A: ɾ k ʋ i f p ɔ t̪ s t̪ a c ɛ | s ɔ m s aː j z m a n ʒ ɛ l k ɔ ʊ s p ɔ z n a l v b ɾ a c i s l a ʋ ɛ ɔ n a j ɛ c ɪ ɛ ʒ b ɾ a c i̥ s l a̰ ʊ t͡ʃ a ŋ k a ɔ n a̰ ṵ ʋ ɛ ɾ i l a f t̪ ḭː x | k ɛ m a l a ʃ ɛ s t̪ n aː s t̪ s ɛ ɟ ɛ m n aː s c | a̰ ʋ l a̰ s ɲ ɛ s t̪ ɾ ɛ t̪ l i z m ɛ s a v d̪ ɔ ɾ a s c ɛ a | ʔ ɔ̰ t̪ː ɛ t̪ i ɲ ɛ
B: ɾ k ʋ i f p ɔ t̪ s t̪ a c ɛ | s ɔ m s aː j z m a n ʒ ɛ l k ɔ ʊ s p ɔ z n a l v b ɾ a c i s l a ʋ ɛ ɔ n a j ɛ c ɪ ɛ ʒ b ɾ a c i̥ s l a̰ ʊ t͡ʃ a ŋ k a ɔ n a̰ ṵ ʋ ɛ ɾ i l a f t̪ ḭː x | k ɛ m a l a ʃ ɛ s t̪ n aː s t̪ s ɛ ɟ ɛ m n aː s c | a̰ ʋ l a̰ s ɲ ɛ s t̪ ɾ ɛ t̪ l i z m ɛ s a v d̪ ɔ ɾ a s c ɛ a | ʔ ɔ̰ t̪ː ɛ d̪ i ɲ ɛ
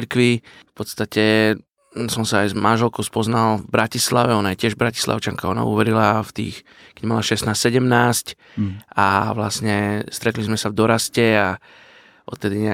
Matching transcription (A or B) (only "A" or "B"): B